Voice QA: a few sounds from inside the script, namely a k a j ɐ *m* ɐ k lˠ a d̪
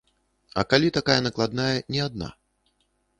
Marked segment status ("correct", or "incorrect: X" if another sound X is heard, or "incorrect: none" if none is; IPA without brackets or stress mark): incorrect: n